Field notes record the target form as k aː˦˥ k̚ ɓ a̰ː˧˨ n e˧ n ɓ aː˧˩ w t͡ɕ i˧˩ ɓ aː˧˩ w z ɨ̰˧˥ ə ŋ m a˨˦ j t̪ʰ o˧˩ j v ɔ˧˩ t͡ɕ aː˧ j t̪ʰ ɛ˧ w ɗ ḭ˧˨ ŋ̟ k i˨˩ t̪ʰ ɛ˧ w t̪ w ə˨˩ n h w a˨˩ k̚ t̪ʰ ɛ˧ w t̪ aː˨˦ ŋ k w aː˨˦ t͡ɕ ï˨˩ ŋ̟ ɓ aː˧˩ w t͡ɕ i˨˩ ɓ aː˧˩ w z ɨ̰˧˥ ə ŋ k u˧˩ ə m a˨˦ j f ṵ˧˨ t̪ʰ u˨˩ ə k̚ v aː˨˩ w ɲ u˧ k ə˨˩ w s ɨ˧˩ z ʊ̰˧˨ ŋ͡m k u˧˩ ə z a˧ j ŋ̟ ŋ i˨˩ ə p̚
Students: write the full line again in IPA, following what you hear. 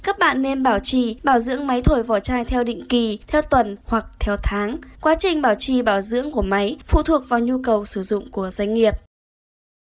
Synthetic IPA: k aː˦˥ k̚ ɓ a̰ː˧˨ nː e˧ n ɓ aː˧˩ w t͡ɕ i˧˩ ɓ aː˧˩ w z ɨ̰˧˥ ə ŋ m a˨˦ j t̪ʰ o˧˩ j v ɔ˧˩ t͡ɕ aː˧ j t̪ʰ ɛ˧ w ɗ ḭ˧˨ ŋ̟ k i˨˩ t̪ʰ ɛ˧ w t̪ w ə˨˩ n h w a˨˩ k̚ t̪ʰ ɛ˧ w t̪ʰ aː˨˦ ŋ k w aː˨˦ t͡ɕ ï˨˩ ŋ̟ ɓ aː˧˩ w t͡ɕ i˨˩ ɓ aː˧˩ w z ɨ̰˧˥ ə ŋ k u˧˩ ə m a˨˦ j f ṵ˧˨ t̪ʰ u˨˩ ə k̚ v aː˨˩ w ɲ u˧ k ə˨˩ w s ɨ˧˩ z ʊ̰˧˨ ŋ͡m k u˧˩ ə z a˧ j ŋ̟ ŋ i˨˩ ə p̚

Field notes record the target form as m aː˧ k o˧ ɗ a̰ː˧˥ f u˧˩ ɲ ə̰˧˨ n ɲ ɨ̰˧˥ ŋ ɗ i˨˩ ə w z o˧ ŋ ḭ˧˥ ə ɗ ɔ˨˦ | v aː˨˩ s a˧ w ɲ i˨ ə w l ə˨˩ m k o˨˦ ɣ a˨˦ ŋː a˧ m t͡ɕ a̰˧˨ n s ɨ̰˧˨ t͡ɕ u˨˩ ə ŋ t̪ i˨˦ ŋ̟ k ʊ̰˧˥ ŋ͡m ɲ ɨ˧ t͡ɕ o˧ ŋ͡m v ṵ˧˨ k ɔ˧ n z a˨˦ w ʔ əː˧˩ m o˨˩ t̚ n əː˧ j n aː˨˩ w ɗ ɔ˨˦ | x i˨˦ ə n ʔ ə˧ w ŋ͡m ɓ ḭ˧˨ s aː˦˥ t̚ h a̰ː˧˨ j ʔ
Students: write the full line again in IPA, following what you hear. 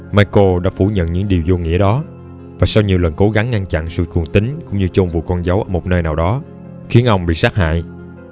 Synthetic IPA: m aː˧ k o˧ ɗ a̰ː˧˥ f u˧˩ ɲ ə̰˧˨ n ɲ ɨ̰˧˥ ŋ ɗ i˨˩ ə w z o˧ ŋ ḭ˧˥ ə ɗ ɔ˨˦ | v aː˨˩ s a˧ w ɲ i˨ ə w l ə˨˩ n k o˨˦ ɣ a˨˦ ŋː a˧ ŋ t͡ɕ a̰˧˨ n s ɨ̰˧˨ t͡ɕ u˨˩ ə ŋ t̪ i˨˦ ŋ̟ k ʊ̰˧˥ ŋ͡m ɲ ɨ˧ t͡ɕ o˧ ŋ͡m v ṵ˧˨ k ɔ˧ n z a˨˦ w ʔ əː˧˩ m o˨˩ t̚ n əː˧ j n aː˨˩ w ɗ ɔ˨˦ | x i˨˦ ə n ʔ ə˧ w ŋ͡m ɓ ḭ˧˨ s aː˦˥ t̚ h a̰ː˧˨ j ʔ

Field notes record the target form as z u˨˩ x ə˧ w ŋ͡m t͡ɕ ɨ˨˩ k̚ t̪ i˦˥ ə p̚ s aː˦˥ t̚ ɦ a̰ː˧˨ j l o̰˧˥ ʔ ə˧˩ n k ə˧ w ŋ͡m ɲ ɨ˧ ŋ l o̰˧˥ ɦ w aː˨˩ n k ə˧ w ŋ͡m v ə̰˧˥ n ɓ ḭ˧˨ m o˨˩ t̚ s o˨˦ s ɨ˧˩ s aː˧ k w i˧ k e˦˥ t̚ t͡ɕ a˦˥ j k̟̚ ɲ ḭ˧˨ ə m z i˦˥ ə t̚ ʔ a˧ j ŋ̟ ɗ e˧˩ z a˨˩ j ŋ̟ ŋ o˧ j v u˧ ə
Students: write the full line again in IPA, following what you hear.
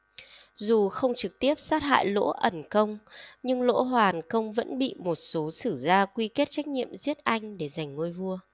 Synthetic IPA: z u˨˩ x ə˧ w ŋ͡m t͡ɕ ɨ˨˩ k̚ t̪ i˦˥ ə p̚ s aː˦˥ t̚ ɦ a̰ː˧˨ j l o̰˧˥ ʔ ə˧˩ n k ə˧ w ŋ͡m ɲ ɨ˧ ŋ l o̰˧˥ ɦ w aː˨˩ n k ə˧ w ŋ͡m v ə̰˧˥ n ɓ ḭ˧˨ m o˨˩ t̚ s o˨˦ s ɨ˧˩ z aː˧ k w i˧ k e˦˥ t̚ t͡ɕ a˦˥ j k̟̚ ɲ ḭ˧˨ ə m z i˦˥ ə t̚ ʔ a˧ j ŋ̟ ɗ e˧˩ z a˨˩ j ŋ̟ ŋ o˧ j v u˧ ə

